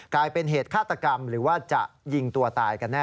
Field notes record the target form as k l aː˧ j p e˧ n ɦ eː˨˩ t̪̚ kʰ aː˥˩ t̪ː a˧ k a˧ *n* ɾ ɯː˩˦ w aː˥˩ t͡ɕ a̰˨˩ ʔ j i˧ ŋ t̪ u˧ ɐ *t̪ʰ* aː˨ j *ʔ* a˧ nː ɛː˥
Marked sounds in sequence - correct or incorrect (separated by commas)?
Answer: incorrect, incorrect, incorrect